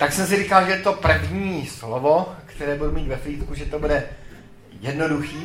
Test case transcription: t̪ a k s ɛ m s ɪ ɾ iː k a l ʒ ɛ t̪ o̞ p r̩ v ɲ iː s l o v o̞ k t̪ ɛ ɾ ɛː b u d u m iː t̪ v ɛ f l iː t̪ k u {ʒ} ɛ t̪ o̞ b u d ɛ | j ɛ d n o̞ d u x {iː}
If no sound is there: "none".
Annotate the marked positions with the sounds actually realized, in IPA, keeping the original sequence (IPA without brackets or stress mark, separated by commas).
ʒ, iː